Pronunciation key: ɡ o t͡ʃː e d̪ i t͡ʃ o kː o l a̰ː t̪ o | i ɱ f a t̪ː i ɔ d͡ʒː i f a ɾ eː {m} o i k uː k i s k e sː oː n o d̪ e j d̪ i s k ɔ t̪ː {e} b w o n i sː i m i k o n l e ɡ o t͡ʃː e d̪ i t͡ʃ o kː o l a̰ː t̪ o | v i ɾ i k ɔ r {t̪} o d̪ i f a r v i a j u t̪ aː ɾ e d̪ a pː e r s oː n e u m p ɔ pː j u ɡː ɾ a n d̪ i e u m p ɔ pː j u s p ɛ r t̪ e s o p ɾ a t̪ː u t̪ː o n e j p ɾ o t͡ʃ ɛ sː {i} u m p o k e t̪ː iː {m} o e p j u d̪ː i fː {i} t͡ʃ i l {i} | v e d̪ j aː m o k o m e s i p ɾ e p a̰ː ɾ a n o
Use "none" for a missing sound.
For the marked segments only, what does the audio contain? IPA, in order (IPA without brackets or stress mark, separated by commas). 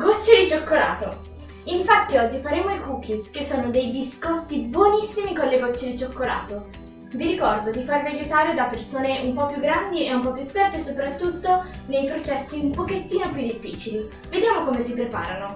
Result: m, i, d̪, i, n, iː, i